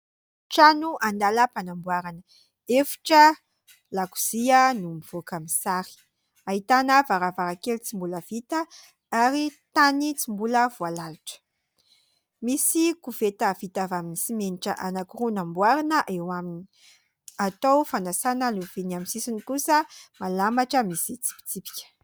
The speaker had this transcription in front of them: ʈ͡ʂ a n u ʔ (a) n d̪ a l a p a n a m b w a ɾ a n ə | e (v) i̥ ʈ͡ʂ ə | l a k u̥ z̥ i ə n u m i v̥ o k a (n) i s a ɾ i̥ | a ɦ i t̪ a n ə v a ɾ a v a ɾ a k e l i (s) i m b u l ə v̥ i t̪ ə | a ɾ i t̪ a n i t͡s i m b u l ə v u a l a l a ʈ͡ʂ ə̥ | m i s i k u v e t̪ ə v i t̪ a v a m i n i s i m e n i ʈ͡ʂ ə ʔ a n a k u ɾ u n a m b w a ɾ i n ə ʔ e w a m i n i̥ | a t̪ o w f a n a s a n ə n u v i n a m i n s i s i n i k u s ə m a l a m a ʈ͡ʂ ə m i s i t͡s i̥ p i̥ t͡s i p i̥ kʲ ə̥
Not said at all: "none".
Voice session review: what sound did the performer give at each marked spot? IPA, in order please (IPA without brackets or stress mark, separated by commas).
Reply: a, f, m, t͡s